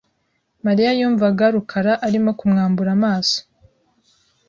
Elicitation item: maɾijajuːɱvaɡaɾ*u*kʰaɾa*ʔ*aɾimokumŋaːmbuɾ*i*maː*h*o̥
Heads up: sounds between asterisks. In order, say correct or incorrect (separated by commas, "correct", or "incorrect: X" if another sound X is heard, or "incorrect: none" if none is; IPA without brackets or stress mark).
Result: correct, correct, incorrect: a, incorrect: s